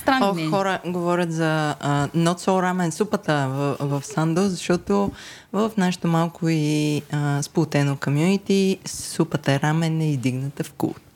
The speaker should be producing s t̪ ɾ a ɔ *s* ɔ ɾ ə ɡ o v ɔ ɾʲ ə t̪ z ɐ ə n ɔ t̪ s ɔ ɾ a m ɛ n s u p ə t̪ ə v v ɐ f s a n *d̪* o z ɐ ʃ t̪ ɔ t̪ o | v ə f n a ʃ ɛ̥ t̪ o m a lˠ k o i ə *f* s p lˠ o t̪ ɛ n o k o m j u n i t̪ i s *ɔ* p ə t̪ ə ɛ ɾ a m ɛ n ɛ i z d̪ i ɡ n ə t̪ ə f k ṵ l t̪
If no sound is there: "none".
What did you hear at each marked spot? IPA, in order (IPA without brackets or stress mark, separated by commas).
x, d̪, none, u